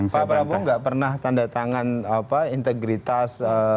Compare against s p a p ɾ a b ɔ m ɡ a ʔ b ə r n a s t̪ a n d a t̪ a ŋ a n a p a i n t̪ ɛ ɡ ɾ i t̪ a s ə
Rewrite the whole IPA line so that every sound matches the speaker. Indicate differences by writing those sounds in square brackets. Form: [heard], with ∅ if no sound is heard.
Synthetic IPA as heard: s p a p ɾ a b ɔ [ŋ] ɡ a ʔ [p] ə r n a [h] t̪ a n d a t̪ a ŋ a n a p a i n t̪ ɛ ɡ ɾ i t̪ a s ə